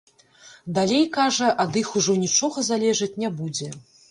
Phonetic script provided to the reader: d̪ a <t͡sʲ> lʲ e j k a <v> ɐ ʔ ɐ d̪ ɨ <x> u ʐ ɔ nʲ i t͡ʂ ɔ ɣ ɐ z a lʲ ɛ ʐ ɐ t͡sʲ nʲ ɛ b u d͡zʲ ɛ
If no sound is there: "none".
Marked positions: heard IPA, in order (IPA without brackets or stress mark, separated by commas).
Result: none, ʐ, x